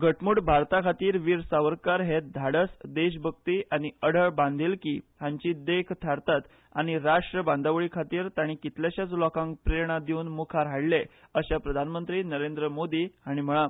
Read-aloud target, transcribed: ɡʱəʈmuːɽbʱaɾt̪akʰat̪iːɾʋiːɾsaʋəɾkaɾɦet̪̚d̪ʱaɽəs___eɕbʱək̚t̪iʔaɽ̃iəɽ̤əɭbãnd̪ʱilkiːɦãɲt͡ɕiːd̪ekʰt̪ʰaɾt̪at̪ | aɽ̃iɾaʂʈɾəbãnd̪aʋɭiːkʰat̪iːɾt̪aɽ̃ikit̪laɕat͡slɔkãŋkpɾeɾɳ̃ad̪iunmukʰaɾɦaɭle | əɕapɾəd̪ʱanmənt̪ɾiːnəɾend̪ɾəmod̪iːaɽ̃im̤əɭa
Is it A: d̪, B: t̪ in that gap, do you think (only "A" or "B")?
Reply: A